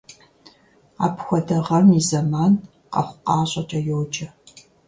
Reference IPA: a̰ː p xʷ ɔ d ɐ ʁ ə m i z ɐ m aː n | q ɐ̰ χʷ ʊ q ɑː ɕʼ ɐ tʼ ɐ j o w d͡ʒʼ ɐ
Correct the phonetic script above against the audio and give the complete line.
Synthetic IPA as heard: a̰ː p xʷ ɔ d ɐ ʁ ɐ m i z ɐ m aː n | q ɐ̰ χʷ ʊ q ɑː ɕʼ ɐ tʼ ɐ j o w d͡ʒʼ ɐ